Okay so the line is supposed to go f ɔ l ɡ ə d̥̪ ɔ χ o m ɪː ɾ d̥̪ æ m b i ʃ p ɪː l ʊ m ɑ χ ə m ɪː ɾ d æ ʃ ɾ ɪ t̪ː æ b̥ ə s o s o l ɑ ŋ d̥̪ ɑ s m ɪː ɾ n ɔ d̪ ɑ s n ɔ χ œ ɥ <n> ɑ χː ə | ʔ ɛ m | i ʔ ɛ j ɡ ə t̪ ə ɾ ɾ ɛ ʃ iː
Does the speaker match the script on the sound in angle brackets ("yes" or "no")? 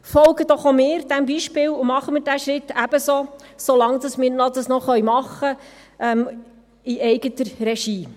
no